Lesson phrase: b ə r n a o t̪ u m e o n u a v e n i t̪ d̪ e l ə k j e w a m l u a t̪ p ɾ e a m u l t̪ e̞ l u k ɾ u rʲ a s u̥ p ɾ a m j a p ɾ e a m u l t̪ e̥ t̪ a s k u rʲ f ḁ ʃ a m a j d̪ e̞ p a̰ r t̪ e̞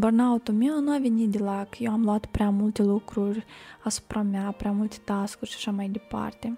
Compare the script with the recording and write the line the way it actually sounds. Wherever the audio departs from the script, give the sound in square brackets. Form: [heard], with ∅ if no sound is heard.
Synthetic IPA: b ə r n a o t̪ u m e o n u a v e n i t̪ d̪ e l [a] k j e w a m l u a t̪ p ɾ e a m u l t̪ e̞ l u k ɾ u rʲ a s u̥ p ɾ a m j a p ɾ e a m u l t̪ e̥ t̪ a s k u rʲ [ʃ] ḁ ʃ a m a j d̪ e̞ p a̰ r t̪ e̞